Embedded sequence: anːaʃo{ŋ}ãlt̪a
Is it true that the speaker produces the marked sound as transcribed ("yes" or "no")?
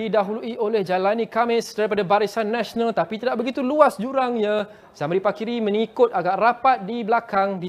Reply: no